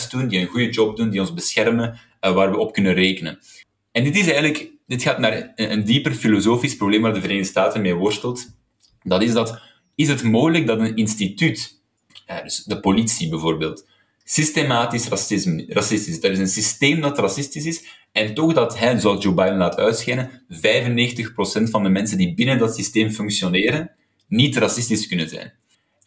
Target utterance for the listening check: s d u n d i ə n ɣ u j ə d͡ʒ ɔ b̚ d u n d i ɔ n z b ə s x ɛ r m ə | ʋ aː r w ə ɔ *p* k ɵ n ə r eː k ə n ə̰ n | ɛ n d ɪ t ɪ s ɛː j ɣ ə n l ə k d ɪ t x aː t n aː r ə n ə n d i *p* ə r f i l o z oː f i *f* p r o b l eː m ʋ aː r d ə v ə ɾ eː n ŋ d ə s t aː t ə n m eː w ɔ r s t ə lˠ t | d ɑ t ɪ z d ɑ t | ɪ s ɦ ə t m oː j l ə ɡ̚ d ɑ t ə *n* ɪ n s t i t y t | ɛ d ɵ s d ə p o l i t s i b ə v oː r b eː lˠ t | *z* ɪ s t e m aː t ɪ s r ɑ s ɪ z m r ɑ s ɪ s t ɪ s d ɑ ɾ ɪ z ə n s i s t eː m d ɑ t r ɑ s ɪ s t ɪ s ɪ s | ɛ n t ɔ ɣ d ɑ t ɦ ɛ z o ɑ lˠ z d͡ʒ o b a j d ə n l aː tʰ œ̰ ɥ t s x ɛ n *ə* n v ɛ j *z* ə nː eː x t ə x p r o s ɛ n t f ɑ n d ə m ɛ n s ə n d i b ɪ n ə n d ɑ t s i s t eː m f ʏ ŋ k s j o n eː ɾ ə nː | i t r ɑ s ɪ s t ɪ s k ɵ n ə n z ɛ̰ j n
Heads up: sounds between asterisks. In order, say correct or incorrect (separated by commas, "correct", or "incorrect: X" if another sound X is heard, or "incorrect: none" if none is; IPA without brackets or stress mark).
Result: correct, correct, incorrect: s, correct, incorrect: s, correct, incorrect: v